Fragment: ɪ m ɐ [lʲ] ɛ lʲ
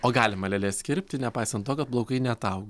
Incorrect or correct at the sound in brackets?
correct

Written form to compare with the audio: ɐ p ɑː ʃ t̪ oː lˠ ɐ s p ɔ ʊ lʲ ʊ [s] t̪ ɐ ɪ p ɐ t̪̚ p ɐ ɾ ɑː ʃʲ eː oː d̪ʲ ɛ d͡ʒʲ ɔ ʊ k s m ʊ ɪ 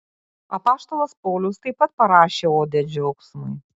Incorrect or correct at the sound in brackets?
correct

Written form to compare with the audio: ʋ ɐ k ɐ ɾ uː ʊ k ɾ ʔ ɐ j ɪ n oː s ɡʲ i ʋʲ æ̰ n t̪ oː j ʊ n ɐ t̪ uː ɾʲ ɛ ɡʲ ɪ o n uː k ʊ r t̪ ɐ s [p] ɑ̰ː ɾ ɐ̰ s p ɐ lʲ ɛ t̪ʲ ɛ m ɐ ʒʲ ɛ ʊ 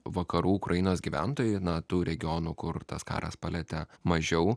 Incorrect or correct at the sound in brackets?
incorrect: k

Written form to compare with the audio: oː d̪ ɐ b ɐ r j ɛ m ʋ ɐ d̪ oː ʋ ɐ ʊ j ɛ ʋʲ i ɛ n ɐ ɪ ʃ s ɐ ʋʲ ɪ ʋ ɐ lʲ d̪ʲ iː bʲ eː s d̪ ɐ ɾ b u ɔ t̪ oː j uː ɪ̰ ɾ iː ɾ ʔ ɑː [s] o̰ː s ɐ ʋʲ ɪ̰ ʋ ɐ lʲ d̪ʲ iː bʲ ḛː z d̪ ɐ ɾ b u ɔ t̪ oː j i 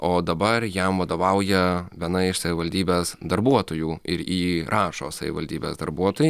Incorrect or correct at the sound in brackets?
incorrect: ʃ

